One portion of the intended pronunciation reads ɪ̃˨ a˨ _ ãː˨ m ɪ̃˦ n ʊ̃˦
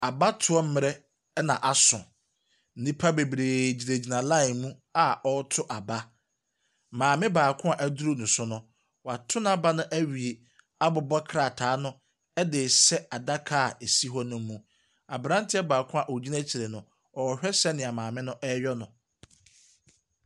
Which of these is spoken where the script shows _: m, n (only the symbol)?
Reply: m